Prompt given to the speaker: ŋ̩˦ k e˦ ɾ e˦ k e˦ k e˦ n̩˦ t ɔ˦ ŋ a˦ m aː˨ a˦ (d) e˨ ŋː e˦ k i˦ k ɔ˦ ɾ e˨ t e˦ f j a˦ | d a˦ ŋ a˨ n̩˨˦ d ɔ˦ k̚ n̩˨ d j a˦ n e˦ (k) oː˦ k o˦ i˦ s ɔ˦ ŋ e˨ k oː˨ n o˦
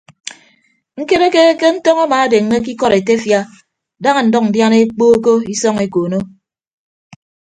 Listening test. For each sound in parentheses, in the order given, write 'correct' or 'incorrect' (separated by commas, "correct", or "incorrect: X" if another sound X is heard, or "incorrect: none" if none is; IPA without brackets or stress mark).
correct, incorrect: k͡p